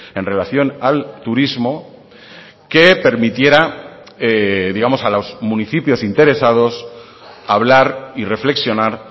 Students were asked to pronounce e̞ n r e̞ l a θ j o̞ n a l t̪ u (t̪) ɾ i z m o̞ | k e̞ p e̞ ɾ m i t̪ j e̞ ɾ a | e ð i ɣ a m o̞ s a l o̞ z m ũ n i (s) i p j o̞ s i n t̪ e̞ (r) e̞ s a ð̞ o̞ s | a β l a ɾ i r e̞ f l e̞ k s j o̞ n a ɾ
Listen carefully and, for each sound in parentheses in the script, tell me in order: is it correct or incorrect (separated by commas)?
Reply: incorrect, incorrect, incorrect